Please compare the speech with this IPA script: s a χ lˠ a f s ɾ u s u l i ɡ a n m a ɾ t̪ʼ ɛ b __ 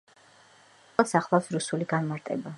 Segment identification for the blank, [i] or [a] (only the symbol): a